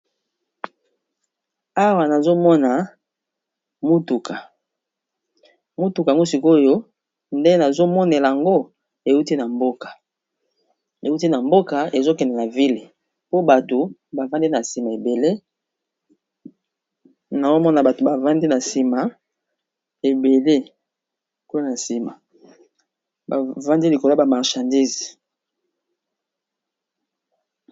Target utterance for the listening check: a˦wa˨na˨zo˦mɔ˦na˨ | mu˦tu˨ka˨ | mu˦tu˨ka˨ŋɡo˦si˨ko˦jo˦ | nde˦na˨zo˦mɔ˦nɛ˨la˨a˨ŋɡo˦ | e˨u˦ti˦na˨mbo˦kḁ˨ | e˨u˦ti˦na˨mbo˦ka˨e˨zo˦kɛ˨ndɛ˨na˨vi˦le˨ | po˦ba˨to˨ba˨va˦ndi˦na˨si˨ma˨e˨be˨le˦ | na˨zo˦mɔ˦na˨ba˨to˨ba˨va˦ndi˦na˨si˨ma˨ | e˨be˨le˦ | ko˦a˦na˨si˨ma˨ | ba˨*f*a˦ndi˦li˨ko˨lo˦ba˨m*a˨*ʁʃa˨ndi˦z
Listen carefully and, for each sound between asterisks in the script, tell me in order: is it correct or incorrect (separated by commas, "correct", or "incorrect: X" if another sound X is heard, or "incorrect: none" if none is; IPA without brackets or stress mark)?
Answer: incorrect: v, correct